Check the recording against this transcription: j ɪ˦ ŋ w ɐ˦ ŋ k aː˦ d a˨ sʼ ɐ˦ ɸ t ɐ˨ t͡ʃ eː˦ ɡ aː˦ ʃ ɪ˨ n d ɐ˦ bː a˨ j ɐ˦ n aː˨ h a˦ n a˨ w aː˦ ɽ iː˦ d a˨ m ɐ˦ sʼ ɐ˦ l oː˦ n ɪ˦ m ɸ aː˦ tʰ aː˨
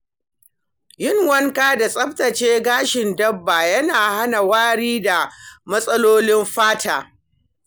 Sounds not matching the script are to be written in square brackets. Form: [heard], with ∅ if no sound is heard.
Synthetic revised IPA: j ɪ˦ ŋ w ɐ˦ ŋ k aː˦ d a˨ sʼ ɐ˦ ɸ t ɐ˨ t͡ʃ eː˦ ɡ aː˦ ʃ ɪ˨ n d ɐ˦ bː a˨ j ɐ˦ n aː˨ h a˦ n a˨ w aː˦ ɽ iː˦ d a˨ m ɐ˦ sʼ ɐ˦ l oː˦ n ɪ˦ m ɸ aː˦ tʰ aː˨

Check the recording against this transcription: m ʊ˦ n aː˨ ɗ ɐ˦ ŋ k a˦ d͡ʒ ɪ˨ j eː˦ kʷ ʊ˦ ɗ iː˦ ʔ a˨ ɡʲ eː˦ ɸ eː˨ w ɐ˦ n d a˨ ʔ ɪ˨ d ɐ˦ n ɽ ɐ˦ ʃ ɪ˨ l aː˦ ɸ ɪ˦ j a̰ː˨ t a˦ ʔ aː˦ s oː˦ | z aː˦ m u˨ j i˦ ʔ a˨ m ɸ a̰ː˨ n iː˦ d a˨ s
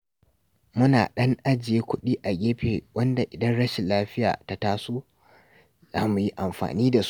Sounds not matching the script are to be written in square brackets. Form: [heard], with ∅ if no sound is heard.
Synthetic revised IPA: m ʊ˦ n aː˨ ɗ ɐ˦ ŋ [ʔ] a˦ d͡ʒ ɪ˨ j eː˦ kʷ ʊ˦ ɗ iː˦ ʔ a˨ ɡʲ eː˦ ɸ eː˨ w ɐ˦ n d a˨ ʔ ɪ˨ d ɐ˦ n ɽ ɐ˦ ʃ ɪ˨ l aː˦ ɸ ɪ˦ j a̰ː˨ t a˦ [t] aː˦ s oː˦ | z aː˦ m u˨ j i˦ ʔ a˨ m ɸ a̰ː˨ n iː˦ d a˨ s

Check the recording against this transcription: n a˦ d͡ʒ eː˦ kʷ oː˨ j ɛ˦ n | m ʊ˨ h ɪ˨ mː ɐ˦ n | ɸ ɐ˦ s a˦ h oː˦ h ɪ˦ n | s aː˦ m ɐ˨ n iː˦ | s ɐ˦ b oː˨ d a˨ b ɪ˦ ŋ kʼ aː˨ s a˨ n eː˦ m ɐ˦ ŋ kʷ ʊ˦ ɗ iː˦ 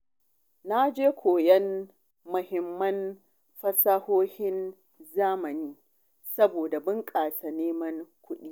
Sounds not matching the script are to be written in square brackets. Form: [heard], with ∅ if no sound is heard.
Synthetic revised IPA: n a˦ d͡ʒ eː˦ kʷ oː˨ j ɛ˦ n | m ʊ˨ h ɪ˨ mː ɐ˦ n | ɸ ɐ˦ s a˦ h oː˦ h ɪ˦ n | [z] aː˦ m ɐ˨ n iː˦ | s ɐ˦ b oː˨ d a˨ b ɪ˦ ŋ kʼ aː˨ s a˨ n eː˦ m ɐ˦ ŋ kʷ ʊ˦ ɗ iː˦

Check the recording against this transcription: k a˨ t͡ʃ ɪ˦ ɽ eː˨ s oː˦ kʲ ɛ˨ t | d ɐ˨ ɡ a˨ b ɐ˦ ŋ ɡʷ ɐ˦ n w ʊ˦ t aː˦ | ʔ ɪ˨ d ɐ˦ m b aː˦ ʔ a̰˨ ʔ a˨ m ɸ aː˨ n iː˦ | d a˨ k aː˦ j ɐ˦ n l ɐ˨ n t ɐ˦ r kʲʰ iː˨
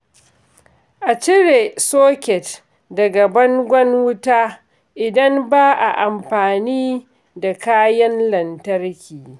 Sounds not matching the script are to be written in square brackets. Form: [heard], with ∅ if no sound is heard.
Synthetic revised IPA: [ʔ] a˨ t͡ʃ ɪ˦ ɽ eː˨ s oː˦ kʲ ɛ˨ t | d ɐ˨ ɡ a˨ b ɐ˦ ŋ ɡʷ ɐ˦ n w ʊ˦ t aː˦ | ʔ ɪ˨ d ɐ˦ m b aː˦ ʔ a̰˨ ʔ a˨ m ɸ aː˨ n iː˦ | d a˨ k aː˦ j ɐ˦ n l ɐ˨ n t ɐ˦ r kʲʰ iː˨

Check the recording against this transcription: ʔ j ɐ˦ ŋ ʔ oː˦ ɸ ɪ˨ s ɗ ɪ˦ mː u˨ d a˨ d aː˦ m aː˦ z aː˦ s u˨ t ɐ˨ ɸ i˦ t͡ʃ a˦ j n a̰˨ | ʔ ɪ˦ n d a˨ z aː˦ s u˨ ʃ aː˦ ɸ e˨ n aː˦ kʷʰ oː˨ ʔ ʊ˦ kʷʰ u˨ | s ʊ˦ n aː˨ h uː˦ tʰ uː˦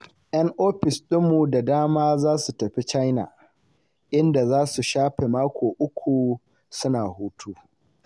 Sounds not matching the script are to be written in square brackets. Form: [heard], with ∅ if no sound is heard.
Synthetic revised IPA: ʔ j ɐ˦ ŋ ʔ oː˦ ɸ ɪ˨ s ɗ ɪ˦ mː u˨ d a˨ d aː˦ m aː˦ z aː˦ s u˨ t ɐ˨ ɸ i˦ t͡ʃ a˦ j n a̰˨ | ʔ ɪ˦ n d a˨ z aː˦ s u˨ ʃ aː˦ ɸ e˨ [m] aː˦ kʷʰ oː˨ ʔ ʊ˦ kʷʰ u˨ | s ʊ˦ n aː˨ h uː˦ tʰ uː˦

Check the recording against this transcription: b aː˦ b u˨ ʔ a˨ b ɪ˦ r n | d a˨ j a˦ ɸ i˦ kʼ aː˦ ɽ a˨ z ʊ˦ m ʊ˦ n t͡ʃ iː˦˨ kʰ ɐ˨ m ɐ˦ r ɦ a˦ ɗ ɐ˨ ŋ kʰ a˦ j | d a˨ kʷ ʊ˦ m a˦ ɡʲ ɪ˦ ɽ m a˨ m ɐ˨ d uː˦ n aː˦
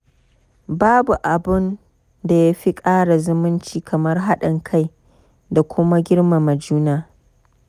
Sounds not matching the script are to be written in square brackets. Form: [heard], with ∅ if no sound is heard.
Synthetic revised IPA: b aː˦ b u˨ ʔ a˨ b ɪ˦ [∅] n | d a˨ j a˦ ɸ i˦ kʼ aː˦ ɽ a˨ z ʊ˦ m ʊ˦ n t͡ʃ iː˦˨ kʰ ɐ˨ m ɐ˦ r ɦ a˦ ɗ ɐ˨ ŋ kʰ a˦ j | d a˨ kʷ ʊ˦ m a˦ ɡʲ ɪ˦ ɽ m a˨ m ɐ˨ [d͡ʒ] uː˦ n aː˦

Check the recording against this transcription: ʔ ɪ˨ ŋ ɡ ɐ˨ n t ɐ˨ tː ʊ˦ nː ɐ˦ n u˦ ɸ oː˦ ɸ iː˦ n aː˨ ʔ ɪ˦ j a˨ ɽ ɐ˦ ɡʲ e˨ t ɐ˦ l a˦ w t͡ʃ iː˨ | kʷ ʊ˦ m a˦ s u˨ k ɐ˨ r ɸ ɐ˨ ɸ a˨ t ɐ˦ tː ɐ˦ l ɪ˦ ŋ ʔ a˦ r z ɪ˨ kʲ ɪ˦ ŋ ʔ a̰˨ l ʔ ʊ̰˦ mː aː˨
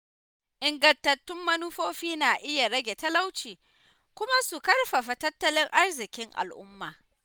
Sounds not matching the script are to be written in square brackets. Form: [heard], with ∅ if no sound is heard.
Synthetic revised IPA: ʔ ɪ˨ ŋ ɡ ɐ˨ n t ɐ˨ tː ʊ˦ [mː] ɐ˦ n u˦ ɸ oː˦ ɸ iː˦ n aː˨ ʔ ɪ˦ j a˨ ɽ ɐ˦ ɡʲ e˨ t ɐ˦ l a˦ w t͡ʃ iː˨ | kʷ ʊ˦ m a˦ s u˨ k [ɐ˦] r ɸ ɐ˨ ɸ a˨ t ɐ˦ tː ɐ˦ l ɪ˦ ŋ ʔ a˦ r z ɪ˨ kʲ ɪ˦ ŋ ʔ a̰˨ l ʔ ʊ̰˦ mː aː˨

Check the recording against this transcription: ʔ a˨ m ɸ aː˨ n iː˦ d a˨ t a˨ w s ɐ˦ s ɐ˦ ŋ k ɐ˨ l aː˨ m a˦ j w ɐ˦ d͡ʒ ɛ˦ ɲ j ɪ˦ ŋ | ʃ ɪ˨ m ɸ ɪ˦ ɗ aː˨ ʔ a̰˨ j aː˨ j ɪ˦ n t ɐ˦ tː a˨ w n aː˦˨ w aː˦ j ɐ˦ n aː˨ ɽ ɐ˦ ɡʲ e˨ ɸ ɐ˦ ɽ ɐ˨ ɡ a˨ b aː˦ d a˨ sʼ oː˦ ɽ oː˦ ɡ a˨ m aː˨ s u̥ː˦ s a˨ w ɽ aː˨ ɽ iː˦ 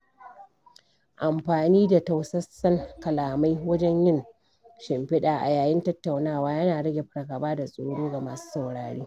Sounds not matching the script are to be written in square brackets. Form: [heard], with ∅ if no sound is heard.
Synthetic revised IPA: ʔ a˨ m ɸ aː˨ n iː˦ d a˨ t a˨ w s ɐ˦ s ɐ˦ ŋ k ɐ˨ l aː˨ m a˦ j w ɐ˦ d͡ʒ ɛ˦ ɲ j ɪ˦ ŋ | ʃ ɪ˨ m ɸ ɪ˦ ɗ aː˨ ʔ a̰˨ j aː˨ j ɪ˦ n t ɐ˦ tː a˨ w n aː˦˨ w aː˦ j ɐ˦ n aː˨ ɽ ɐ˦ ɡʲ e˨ ɸ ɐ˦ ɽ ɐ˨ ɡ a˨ b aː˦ d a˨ sʼ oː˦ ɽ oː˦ ɡ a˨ m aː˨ s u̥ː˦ s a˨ w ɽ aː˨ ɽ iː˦

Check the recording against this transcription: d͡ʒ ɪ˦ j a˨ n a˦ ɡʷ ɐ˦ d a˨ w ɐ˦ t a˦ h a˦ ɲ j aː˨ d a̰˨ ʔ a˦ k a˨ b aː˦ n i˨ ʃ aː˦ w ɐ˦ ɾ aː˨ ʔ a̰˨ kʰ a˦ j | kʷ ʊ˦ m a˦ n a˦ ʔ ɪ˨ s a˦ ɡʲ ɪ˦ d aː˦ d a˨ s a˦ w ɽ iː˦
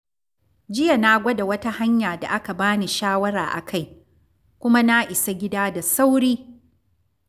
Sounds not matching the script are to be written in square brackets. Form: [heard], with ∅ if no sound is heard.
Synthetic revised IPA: d͡ʒ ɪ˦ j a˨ n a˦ ɡʷ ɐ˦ d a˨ w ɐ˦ t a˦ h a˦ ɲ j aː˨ d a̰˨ ʔ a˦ k a˨ b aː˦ n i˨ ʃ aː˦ w ɐ˦ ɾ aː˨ ʔ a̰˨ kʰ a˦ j | kʷ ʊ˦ m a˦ n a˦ ʔ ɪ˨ s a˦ ɡʲ ɪ˦ d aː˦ d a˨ s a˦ w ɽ iː˦

